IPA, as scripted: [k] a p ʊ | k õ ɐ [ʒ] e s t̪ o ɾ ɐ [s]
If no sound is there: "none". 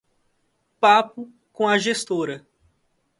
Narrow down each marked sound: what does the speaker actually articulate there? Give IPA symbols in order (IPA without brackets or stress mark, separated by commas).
p, ʒ, none